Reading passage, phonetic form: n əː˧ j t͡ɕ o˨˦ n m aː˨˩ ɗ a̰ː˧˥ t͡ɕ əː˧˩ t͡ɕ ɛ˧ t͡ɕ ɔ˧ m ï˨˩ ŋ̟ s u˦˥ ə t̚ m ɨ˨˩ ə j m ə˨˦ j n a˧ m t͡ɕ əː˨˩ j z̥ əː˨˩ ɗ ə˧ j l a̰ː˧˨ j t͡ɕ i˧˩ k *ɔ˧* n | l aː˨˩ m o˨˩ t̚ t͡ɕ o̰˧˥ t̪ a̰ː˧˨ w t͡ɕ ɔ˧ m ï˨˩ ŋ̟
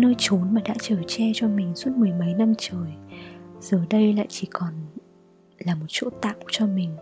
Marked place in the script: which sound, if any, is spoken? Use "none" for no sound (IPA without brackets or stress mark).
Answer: ɔ˨˩